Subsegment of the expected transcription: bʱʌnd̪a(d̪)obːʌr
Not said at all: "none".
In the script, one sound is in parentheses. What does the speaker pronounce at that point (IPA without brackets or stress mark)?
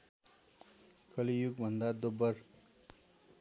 d̪